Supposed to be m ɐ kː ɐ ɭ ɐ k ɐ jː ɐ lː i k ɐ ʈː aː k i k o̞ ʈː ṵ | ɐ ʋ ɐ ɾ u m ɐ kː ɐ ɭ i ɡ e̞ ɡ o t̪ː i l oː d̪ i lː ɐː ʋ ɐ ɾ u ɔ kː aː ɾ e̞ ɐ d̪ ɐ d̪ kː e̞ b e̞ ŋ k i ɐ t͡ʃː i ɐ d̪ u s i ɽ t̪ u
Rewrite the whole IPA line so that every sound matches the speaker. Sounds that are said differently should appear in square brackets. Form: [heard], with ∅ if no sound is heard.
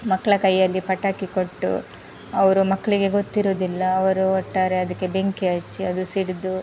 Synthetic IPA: m ɐ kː ɐ ɭ ɐ k ɐ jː ɐ lː i [p] ɐ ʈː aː k i k o̞ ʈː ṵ | ɐ ʋ ɐ ɾ u m ɐ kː ɐ ɭ i ɡ e̞ ɡ o t̪ː i [ɾ] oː d̪ i lː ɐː ʋ ɐ ɾ u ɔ [ʈː] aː ɾ e̞ ɐ d̪ ɐ [∅] kː e̞ b e̞ ŋ k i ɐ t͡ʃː i ɐ d̪ u s i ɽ [d̪] u

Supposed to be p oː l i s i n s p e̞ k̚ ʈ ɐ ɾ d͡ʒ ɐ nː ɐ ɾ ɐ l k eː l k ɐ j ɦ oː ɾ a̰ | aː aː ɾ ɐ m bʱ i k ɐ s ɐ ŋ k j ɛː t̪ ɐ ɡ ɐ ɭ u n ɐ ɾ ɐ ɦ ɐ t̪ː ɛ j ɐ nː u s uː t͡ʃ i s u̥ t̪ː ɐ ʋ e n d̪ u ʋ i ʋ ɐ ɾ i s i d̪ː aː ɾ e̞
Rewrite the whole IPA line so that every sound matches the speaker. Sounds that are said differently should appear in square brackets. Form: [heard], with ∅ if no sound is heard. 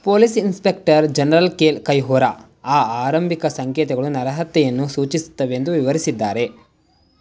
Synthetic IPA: p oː l i s i n s p e̞ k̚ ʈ ɐ ɾ d͡ʒ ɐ [n] ɐ ɾ ɐ l k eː l k ɐ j ɦ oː ɾ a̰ | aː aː ɾ ɐ m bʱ i k ɐ s ɐ ŋ k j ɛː t̪ ɐ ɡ ɐ ɭ u n ɐ ɾ ɐ ɦ ɐ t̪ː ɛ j ɐ nː u s uː t͡ʃ i s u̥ t̪ː ɐ ʋ e n d̪ u ʋ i ʋ ɐ ɾ i s i d̪ː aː ɾ e̞

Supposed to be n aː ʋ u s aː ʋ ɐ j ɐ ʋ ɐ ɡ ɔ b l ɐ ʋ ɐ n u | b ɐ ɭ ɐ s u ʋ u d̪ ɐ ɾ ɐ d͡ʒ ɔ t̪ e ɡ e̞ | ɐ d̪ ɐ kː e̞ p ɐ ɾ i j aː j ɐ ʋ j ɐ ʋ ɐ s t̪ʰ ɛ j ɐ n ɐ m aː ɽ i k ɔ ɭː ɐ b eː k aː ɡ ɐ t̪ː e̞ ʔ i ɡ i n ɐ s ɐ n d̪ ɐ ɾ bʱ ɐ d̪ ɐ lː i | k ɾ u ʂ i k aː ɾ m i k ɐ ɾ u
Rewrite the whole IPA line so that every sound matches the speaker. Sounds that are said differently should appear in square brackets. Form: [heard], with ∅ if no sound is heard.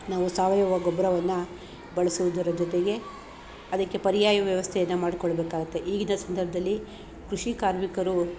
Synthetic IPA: n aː ʋ u s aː ʋ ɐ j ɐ ʋ ɐ ɡ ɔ b [ɾ] ɐ ʋ ɐ [nː] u | b ɐ ɭ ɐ s u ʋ u d̪ ɐ ɾ ɐ d͡ʒ ɔ t̪ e ɡ e̞ | ɐ d̪ ɐ kː e̞ p ɐ ɾ i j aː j ɐ ʋ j ɐ ʋ ɐ s t̪ʰ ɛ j ɐ [nː] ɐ m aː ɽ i k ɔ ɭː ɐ b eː k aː ɡ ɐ t̪ː e̞ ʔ [iː] ɡ i n ɐ s ɐ n d̪ ɐ ɾ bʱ ɐ d̪ ɐ lː i | k ɾ u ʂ i k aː ɾ m i k ɐ ɾ u

